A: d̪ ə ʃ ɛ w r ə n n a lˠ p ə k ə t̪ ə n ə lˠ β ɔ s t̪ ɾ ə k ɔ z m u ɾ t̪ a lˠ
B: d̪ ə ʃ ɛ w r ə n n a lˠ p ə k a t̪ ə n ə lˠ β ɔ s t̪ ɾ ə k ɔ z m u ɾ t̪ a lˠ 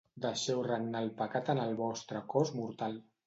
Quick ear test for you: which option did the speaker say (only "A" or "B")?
B